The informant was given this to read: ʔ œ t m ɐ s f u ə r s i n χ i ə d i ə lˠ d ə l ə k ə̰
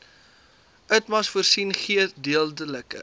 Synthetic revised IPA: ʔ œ t m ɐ s f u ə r s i n χ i ə d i ə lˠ d ə l ə k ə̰